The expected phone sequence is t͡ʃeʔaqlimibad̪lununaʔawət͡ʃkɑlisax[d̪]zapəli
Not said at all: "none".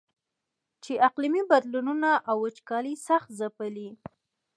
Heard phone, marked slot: t̪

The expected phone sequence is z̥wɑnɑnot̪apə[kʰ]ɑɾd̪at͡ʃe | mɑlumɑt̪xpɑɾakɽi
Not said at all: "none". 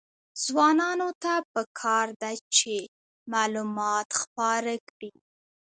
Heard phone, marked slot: kʰ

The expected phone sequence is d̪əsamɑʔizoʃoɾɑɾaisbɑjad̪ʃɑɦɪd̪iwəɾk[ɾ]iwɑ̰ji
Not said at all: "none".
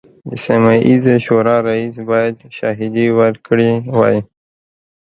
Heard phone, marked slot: ɽ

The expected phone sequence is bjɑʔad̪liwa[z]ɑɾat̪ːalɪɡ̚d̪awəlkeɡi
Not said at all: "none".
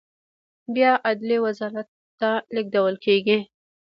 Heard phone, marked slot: z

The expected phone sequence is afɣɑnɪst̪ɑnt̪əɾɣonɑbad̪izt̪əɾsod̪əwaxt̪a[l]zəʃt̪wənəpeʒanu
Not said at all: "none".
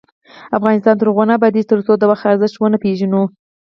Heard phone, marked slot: ɾ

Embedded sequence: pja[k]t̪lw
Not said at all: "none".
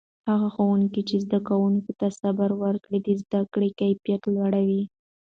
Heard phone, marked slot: none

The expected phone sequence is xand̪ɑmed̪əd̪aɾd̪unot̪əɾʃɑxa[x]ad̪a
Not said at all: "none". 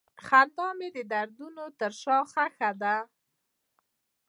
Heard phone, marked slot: x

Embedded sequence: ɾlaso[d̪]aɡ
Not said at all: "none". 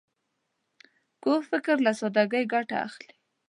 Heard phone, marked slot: d̪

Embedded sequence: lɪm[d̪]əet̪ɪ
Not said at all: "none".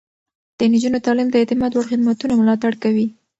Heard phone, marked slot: d̪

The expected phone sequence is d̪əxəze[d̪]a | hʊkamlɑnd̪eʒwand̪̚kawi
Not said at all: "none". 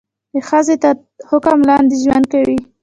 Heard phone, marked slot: t̪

